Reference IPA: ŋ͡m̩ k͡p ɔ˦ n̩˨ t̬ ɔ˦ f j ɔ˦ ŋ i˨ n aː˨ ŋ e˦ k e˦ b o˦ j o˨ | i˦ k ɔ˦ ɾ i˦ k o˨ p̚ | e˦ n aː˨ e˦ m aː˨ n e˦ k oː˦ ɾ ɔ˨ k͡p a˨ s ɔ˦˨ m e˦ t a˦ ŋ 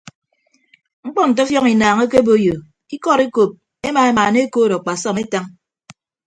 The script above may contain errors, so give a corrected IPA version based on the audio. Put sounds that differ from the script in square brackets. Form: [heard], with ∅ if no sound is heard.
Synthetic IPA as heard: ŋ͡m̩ k͡p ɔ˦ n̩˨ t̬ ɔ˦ f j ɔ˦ ŋ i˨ n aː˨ ŋ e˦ k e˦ b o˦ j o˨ | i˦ k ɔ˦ ɾ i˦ k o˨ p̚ | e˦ [m] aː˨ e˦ m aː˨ n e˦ k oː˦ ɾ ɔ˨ k͡p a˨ s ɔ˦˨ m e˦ t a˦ ŋ